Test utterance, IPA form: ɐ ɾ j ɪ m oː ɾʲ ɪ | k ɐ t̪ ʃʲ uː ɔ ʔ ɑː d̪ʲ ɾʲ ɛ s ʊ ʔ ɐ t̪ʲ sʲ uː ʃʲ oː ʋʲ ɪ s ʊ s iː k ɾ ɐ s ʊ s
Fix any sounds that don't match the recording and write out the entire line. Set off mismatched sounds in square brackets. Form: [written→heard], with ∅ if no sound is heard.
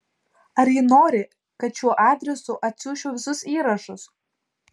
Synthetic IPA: ɐ ɾ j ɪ [m→n] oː ɾʲ ɪ | k ɐ t̪ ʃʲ [uː→u] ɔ ʔ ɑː d̪ʲ ɾʲ ɛ s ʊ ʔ ɐ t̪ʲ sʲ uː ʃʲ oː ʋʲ ɪ s ʊ s iː [k→∅] ɾ ɐ [s→ʃ] ʊ s